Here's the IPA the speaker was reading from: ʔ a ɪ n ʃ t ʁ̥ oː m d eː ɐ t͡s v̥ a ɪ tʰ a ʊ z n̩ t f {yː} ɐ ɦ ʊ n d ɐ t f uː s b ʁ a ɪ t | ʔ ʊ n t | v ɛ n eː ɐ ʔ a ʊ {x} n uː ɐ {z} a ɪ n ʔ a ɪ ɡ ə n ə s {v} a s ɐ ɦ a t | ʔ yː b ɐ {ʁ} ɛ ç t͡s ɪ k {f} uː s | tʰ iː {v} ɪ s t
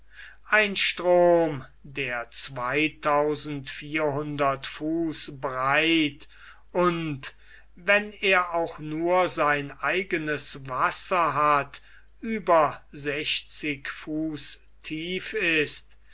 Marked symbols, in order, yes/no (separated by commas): no, yes, yes, yes, no, yes, no